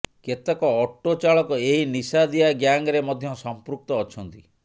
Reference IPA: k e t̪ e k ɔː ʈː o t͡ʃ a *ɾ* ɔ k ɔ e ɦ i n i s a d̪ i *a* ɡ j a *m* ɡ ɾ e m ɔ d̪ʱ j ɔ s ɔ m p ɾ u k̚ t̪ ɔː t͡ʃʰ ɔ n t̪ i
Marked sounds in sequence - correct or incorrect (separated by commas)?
incorrect, correct, incorrect